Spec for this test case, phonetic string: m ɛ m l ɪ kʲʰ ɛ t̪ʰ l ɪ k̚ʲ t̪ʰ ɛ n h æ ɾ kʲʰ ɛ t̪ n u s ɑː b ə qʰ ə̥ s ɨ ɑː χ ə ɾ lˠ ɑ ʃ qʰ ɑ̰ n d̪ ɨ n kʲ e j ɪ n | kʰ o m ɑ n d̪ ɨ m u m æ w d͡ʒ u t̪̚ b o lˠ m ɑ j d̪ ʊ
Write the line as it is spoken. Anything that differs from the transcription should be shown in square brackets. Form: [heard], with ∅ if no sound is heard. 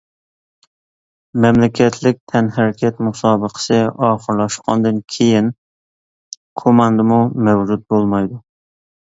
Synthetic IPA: m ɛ m l ɪ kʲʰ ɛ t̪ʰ l ɪ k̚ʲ t̪ʰ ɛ n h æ ɾ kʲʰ ɛ t̪ [m] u s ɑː b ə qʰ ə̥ s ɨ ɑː χ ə ɾ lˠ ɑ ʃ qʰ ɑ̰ n d̪ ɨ n [kʲʰ] e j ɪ n | kʰ o m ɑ n d̪ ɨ m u m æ w d͡ʒ u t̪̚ b o lˠ m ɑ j d̪ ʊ